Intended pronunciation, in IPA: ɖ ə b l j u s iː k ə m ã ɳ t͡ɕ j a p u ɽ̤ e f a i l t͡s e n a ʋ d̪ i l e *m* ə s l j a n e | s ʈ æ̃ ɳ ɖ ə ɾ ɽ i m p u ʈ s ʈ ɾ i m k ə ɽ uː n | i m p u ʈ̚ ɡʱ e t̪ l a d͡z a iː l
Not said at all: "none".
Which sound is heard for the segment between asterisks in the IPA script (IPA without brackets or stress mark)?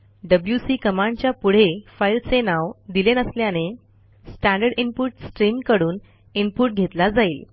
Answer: n